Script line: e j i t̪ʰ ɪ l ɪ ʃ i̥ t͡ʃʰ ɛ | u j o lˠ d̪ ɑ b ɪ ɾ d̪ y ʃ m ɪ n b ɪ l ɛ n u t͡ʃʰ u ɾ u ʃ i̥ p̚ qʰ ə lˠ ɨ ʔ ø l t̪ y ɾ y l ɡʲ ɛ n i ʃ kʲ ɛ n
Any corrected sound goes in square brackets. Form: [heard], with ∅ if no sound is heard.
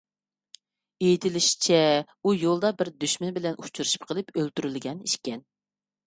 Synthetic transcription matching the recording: e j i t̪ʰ ɪ l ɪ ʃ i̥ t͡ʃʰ ɛ | u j o lˠ d̪ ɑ b ɪ ɾ d̪ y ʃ m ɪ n b ɪ l ɛ n u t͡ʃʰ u ɾ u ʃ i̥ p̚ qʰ ə lˠ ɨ [p] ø l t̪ y ɾ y l ɡʲ ɛ n i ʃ kʲ ɛ n